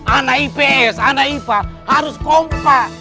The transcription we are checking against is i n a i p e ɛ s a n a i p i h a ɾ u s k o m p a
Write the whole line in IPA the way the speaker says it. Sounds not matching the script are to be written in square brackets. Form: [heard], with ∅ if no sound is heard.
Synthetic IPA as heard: [a] n a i p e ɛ s a n a i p [a] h a ɾ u s k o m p a

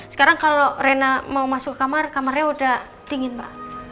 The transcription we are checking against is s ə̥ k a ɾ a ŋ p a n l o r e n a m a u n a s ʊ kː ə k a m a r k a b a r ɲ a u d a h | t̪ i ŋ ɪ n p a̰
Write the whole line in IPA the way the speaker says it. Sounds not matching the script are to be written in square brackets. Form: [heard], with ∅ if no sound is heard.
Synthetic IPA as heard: s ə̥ k a ɾ a ŋ [k] a [∅] l o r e n a m a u [m] a s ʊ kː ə k a m a r k a [m] a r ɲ a u d a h | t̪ i ŋ ɪ n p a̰

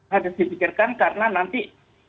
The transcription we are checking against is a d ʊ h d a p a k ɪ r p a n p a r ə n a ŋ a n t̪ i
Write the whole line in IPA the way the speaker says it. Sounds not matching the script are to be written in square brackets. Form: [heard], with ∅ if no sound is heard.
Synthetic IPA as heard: a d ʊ [s] d [i] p [i] k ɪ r [k] a n [k] a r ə n a [n] a n t̪ i

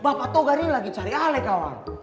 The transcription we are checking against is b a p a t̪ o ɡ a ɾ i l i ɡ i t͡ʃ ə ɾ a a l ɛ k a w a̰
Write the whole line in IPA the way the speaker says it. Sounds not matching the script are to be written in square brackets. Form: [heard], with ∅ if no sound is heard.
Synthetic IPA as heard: b a p a t̪ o ɡ a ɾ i l [a] ɡ i t͡ʃ [a] ɾ [i] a l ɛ k a w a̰

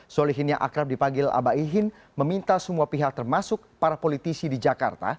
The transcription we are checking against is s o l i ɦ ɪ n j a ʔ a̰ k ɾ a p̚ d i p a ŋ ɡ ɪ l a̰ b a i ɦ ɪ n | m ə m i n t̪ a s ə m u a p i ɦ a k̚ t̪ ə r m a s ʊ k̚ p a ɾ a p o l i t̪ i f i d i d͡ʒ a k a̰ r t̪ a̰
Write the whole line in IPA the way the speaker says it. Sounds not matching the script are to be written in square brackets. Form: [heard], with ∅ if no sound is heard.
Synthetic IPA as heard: s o l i ɦ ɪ n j a ʔ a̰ k ɾ a p̚ d i p a ŋ ɡ ɪ l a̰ b a i ɦ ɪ n | m ə m i n t̪ a s ə m u a p i ɦ a k̚ t̪ ə r m a s ʊ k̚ p a ɾ a p o l i t̪ i [s] i d i d͡ʒ a k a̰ r t̪ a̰

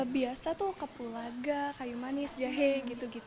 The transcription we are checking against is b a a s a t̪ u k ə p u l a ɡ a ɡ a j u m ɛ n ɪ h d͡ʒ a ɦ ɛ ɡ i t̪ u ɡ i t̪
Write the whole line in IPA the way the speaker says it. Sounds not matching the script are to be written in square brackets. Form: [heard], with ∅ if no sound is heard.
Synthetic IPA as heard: b [i] a s a t̪ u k ə p u l a ɡ a [k] a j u m [a] n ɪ [s] d͡ʒ a ɦ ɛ ɡ i t̪ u ɡ i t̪

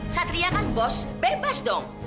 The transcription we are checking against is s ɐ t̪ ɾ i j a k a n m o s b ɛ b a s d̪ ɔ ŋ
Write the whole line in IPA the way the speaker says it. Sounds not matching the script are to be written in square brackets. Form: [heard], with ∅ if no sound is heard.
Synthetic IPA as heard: s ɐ t̪ ɾ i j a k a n [b] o s b ɛ b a s d̪ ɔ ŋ

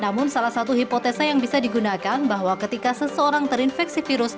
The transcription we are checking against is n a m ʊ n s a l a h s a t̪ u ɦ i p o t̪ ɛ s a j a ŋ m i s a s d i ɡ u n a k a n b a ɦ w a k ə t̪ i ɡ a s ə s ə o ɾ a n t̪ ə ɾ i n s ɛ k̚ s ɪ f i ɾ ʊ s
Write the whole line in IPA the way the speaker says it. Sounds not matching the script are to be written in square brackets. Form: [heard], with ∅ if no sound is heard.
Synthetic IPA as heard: n a m ʊ n s a l a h s a t̪ u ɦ i p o t̪ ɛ s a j a ŋ [b] i s a [∅] d i ɡ u n a k a n b a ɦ w a k ə t̪ i [k] a s ə s ə o ɾ a [ŋ] t̪ ə ɾ i n [f] ɛ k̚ s [i] f i ɾ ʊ s

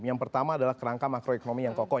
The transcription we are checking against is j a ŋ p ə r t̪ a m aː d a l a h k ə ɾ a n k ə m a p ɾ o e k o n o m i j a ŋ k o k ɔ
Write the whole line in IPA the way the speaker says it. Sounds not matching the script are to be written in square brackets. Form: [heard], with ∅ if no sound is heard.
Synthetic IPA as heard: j a ŋ p ə r t̪ a m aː d a l a h k ə ɾ a [ŋ] k [a] m a [k] ɾ o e k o n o m i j a ŋ k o k ɔ

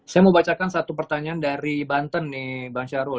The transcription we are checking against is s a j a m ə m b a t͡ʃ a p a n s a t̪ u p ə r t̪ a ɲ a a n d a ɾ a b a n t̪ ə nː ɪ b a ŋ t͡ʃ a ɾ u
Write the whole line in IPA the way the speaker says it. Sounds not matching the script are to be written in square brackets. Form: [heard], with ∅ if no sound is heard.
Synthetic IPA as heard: s a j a m ə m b a t͡ʃ a [k] a n s a t̪ u p ə r t̪ a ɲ a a n d a ɾ [i] b a n t̪ ə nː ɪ b a ŋ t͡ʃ a ɾ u

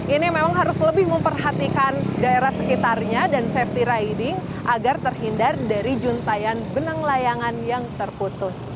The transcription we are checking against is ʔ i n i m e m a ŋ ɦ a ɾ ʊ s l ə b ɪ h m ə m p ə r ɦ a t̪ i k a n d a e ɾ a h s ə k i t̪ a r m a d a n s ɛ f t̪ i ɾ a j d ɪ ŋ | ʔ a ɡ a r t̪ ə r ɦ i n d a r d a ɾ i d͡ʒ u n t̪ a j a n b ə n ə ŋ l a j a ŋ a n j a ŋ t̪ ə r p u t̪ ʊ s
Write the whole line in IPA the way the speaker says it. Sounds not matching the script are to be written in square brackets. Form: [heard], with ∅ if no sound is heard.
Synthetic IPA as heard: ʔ i n i m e m a ŋ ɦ a ɾ ʊ s l ə b ɪ h m ə m p ə r ɦ a t̪ i k a n d a e ɾ a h s ə k i t̪ a r [ɲ] a d a n s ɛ f t̪ i ɾ a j d ɪ ŋ | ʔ a ɡ a r t̪ ə r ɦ i n d a r d a ɾ i d͡ʒ u n t̪ a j a n b ə n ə ŋ l a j a ŋ a n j a ŋ t̪ ə r p u t̪ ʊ s

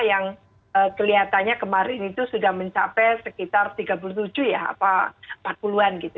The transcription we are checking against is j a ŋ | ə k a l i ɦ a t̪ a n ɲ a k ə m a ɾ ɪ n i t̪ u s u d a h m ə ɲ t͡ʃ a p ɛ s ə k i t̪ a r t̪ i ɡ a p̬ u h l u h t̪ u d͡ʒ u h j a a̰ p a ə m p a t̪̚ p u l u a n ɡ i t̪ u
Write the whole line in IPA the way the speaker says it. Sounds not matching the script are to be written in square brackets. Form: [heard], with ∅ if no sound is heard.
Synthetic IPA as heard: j a ŋ | ə k [ə] l i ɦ a t̪ a n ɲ a k ə m a ɾ ɪ n i t̪ u s u d a h m ə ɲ t͡ʃ a p ɛ s ə k i t̪ a r t̪ i ɡ a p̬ u [∅] l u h t̪ u d͡ʒ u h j a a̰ p a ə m p a t̪̚ p u l u a n ɡ i t̪ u

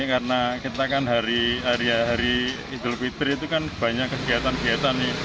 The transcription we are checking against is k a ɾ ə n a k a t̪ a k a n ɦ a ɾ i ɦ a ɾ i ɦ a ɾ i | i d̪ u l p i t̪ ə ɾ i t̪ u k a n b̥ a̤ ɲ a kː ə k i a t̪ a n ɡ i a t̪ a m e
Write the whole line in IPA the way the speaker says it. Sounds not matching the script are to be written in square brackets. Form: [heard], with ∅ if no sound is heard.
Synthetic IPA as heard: k a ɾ ə n a k [i] t̪ a k a n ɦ a ɾ i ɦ a ɾ i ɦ a ɾ i | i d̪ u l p i t̪ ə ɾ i t̪ u k a n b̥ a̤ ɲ a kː ə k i a t̪ a n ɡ i a t̪ a [n] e

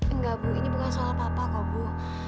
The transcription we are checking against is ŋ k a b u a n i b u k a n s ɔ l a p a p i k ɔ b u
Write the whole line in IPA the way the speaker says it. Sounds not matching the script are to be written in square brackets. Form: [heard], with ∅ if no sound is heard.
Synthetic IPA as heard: ŋ [ɡ] a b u [i] n i b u k a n s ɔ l a p a p [a] k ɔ b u

